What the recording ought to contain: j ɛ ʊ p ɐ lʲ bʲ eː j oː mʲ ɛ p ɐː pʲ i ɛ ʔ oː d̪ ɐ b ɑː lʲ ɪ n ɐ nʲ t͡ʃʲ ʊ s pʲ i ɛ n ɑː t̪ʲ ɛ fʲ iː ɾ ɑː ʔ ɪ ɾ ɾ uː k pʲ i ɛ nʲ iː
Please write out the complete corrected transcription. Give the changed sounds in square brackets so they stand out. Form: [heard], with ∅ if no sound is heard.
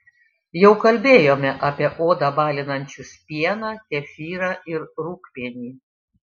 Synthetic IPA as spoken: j ɛ ʊ [k] ɐ lʲ bʲ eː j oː mʲ ɛ [ʔ] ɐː pʲ i ɛ ʔ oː d̪ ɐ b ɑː lʲ ɪ n ɐ nʲ t͡ʃʲ ʊ s pʲ i ɛ n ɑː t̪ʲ ɛ fʲ iː ɾ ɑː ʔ ɪ ɾ ɾ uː k pʲ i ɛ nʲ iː